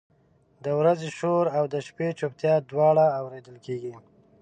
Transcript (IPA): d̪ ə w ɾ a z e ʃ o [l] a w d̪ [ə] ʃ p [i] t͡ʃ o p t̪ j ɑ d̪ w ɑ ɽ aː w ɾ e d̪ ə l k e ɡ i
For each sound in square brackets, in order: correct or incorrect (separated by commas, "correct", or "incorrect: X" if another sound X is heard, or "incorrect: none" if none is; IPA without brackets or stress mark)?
incorrect: ɾ, correct, incorrect: e